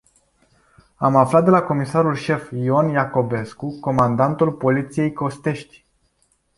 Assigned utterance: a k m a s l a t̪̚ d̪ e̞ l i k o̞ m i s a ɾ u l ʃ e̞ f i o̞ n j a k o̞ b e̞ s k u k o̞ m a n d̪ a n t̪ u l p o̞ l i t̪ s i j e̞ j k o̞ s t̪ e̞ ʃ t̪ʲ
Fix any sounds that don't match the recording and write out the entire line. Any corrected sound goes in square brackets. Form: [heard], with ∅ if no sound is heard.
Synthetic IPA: a [∅] m a [f] l a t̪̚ d̪ e̞ l [a] k o̞ m i s a ɾ u l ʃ e̞ f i o̞ n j a k o̞ b e̞ s k u k o̞ m a n d̪ a n t̪ u l p o̞ l i t̪ s i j e̞ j k o̞ s t̪ e̞ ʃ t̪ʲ

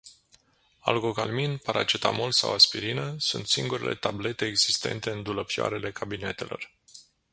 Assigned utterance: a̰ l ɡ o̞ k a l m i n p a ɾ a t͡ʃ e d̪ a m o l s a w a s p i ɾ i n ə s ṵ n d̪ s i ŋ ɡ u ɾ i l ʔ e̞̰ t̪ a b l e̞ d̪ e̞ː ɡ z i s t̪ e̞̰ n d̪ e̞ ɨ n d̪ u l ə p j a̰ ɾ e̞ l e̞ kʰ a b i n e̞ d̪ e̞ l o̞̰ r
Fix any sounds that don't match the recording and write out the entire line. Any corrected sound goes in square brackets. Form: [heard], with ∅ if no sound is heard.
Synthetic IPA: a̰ l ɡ o̞ k a l m i n p a ɾ a t͡ʃ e [t̪] a m o l s a w a s p i ɾ i n ə s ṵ n [t̪] s i ŋ ɡ u ɾ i l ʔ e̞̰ t̪ a b l e̞ [t̪] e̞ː ɡ z i s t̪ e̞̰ n [t̪] e̞ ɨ n d̪ u l ə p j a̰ ɾ e̞ l e̞ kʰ a b i n e̞ [t̪] e̞ l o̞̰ r

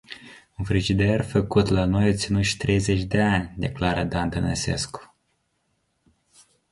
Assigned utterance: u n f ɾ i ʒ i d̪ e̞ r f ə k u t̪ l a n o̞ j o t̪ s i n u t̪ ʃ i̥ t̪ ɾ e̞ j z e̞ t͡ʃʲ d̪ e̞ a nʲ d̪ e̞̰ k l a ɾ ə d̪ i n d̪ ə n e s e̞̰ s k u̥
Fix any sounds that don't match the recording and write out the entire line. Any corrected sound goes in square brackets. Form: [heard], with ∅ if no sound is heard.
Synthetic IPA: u n f ɾ i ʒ i d̪ e̞ r f ə k u t̪ l a n o̞ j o t̪ s i n u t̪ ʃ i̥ t̪ ɾ e̞ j z e̞ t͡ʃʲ d̪ e̞ a nʲ d̪ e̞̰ k l a ɾ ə d̪ [a] n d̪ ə n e s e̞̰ s k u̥

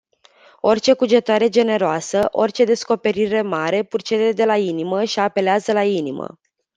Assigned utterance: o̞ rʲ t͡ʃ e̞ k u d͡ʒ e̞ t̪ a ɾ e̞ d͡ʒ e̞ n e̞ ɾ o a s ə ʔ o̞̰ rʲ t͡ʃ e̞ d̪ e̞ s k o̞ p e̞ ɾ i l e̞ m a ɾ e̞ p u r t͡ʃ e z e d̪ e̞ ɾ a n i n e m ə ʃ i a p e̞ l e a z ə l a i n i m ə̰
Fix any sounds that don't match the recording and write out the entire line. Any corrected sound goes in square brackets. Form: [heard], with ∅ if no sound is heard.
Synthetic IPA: o̞ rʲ t͡ʃ e̞ k u d͡ʒ e̞ t̪ a ɾ e̞ d͡ʒ e̞ n e̞ ɾ o a s ə ʔ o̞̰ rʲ t͡ʃ e̞ d̪ e̞ s k o̞ p e̞ ɾ i [ɾ] e̞ m a ɾ e̞ p u r t͡ʃ e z e d̪ e̞ [l] a [∅] i n [i] m ə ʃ i a p e̞ l e a z ə l a i n i m ə̰

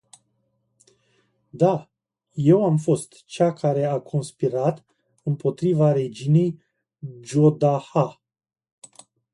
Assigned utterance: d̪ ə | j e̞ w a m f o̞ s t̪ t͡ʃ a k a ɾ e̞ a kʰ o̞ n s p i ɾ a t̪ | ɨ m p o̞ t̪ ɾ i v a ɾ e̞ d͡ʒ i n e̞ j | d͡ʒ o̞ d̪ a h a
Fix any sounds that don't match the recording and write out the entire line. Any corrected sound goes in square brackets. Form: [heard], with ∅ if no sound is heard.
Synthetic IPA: d̪ [a] | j e̞ w a m f o̞ s t̪ t͡ʃ a k a ɾ e̞ a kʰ o̞ n s p i ɾ a t̪ | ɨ m p o̞ t̪ ɾ i v a ɾ e̞ d͡ʒ i n e̞ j | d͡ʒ o̞ d̪ a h a

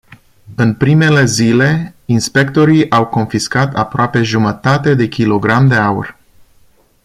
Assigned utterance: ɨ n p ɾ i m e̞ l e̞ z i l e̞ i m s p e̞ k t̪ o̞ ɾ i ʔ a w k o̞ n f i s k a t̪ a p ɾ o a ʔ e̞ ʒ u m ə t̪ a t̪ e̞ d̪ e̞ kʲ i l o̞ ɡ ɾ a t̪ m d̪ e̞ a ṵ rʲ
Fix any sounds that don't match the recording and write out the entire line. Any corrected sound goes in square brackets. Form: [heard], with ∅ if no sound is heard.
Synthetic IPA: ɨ n p ɾ i m e̞ l e̞ z i l e̞ i [n] s p e̞ k t̪ o̞ ɾ i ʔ a w k o̞ n f i s k a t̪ a p ɾ o a [p] e̞ ʒ u m ə t̪ a t̪ e̞ d̪ e̞ kʲ i l o̞ ɡ ɾ a [∅] m d̪ e̞ a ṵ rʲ

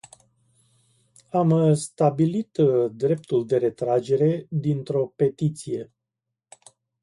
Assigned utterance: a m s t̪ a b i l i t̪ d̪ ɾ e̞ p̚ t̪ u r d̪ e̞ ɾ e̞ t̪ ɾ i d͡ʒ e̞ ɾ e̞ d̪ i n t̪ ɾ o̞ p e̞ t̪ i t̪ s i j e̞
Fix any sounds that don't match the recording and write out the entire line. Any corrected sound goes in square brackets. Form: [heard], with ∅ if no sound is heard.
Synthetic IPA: a m s t̪ a b i l i t̪ d̪ ɾ e̞ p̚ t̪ u [l] d̪ e̞ ɾ e̞ t̪ ɾ [a] d͡ʒ e̞ ɾ e̞ d̪ i n t̪ ɾ o̞ p e̞ t̪ i t̪ s i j e̞

